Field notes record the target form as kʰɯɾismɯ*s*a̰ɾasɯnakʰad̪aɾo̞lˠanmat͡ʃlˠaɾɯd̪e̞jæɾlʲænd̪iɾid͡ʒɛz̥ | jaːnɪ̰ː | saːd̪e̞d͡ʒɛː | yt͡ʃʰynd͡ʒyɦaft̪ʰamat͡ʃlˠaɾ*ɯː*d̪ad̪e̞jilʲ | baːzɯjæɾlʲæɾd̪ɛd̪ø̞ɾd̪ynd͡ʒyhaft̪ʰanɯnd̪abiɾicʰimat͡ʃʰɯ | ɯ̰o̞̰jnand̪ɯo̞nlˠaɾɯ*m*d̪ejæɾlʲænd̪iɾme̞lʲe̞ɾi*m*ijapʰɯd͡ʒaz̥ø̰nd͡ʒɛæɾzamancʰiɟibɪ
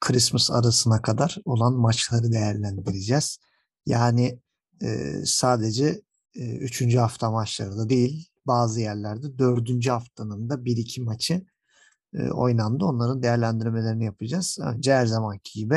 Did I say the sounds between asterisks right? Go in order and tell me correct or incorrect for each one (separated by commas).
correct, incorrect, incorrect, incorrect